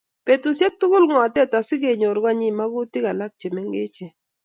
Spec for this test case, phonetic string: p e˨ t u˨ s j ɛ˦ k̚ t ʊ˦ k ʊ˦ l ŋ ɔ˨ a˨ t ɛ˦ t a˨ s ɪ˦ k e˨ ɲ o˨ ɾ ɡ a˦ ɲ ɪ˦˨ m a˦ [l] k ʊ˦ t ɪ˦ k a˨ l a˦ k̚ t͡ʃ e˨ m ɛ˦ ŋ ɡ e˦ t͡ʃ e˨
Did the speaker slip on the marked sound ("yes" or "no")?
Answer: yes